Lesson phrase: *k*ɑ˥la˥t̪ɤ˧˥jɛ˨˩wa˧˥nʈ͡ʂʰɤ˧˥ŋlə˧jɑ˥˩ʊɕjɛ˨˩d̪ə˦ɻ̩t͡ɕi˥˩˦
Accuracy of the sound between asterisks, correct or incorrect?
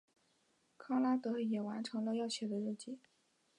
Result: incorrect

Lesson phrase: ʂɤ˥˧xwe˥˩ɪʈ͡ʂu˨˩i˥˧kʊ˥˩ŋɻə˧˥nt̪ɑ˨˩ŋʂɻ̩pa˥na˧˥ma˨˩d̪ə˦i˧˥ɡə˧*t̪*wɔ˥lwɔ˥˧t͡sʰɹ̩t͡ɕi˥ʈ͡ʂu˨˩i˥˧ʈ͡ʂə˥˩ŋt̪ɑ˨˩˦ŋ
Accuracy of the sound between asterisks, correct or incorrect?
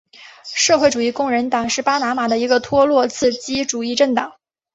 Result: incorrect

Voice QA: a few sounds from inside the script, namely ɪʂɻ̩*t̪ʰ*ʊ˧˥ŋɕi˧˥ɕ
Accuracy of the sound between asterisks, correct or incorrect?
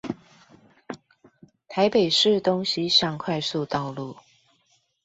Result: incorrect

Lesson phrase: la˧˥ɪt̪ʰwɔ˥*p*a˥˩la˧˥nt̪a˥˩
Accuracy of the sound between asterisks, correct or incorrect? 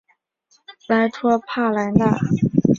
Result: incorrect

